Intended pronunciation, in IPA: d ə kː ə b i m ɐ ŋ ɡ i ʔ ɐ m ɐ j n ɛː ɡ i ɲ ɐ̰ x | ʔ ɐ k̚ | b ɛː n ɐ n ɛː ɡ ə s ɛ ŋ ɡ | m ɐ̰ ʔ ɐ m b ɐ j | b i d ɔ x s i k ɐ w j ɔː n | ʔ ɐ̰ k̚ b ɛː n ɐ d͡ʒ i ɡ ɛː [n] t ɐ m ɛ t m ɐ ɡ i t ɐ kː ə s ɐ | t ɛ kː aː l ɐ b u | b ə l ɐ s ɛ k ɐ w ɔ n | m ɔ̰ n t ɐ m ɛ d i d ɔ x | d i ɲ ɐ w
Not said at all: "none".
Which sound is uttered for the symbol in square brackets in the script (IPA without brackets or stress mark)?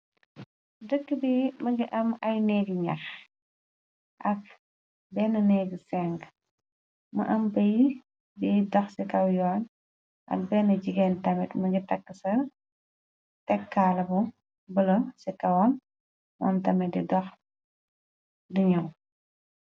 n